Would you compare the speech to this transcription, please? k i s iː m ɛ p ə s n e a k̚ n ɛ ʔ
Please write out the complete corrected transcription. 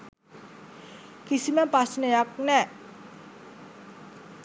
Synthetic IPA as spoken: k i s i m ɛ p a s n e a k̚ n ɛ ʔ